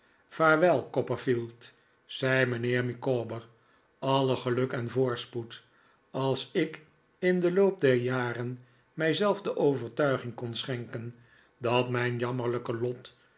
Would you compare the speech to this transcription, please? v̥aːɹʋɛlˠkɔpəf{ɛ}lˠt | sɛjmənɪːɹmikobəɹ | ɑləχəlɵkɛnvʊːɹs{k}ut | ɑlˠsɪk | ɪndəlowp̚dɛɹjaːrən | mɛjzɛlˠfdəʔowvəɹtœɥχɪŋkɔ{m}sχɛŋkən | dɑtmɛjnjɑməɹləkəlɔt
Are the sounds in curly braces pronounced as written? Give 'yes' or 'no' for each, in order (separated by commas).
no, no, no